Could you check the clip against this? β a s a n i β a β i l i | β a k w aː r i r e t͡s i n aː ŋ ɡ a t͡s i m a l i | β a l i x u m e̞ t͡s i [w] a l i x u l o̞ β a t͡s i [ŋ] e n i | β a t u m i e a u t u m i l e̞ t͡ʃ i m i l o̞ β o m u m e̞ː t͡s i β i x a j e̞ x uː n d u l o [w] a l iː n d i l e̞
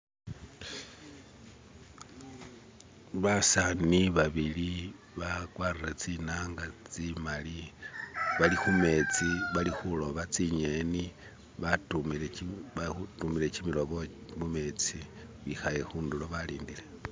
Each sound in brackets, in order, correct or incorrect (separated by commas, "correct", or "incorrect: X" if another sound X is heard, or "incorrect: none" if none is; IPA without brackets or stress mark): incorrect: β, incorrect: ɲ, incorrect: β